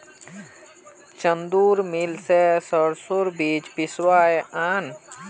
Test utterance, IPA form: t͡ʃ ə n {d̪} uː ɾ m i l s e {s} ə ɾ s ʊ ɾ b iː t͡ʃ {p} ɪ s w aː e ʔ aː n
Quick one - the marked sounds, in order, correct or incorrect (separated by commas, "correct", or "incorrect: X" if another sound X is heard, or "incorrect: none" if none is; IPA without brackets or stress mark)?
correct, correct, correct